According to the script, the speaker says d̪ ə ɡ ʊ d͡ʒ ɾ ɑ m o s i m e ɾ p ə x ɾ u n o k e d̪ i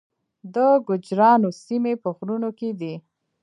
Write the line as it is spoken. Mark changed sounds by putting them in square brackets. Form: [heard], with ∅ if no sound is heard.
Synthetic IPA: d̪ ə ɡ ʊ d͡ʒ ɾ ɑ [n] o s i m e [∅] p ə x ɾ u n o k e d̪ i